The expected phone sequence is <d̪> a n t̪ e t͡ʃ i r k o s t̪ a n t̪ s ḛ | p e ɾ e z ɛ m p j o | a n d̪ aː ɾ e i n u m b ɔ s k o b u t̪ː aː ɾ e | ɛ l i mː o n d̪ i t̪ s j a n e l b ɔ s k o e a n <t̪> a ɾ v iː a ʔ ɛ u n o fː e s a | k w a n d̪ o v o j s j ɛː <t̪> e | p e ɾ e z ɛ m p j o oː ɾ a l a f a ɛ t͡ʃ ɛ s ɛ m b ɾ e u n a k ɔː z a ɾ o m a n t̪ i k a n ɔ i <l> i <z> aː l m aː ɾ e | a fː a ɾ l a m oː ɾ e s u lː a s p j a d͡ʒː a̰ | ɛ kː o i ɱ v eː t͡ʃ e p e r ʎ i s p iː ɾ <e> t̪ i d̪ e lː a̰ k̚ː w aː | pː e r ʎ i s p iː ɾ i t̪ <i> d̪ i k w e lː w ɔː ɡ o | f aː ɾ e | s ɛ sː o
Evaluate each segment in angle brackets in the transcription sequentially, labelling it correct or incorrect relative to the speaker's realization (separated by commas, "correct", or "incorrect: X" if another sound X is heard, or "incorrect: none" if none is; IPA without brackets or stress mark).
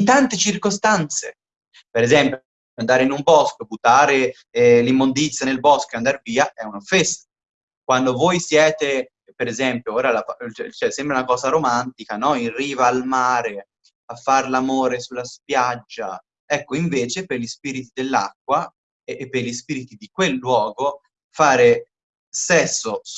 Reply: incorrect: t̪, incorrect: d̪, correct, incorrect: r, incorrect: v, incorrect: i, correct